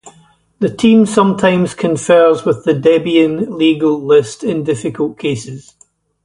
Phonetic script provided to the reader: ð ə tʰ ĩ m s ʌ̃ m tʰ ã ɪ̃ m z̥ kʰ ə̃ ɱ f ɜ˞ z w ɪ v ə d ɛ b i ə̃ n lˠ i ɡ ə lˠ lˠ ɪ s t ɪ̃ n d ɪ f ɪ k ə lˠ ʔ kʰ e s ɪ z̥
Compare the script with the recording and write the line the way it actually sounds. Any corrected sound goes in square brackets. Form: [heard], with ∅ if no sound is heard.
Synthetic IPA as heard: ð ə tʰ ĩ m s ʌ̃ m tʰ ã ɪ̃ m z̥ kʰ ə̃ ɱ f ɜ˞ z w ɪ [ð] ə d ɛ b i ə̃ n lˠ i ɡ ə lˠ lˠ ɪ s t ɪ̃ n d ɪ f ɪ k ə lˠ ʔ kʰ e s ɪ z̥